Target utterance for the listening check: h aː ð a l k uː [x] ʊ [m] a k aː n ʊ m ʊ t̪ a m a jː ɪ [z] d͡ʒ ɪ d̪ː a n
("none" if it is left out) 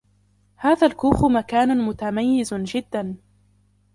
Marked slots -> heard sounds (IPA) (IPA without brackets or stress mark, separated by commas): x, m, z